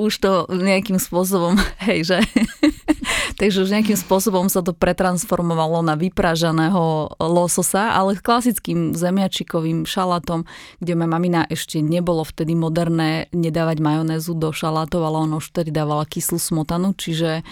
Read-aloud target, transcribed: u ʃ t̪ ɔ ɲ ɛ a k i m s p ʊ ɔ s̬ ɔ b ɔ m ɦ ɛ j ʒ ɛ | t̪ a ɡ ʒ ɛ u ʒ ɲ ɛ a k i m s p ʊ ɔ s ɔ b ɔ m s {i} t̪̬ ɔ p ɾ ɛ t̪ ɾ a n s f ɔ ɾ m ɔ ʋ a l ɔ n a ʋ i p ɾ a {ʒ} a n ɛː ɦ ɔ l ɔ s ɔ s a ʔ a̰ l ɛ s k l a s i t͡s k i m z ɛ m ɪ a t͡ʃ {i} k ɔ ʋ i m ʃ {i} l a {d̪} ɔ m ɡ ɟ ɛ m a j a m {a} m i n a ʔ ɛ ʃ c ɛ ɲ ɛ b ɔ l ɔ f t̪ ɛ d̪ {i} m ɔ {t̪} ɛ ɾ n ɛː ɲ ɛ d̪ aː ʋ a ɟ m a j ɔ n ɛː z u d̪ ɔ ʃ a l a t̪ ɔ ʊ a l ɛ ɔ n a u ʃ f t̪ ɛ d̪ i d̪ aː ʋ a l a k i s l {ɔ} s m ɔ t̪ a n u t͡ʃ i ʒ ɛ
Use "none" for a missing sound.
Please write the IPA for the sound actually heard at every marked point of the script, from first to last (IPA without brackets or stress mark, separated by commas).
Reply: a, ʒ, i, a, t̪, a, i, d̪, u